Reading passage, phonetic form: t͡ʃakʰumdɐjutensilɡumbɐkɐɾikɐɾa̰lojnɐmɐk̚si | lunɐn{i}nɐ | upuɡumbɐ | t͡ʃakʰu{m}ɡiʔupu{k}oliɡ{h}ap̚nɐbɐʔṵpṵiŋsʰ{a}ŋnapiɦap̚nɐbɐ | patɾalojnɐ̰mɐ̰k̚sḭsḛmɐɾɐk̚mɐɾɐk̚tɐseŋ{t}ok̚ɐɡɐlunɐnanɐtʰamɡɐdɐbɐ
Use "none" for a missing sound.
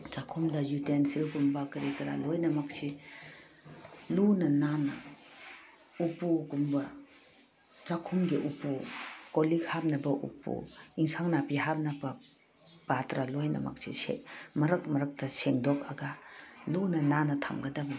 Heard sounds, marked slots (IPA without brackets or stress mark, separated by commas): a, m, k, h, a, d